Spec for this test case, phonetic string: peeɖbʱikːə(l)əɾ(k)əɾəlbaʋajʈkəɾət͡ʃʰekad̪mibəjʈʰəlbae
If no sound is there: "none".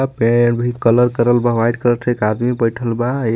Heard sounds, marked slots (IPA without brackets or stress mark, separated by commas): l, k